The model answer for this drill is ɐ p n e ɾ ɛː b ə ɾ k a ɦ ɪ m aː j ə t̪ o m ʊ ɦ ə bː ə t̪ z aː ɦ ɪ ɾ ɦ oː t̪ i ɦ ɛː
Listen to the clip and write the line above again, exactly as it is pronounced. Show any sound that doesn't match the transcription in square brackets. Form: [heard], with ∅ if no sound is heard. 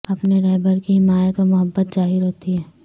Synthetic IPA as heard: ɐ p n e ɾ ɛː b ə ɾ k [i] ɦ ɪ m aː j ə t̪ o m ʊ ɦ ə bː ə t̪ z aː ɦ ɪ ɾ ɦ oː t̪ i ɦ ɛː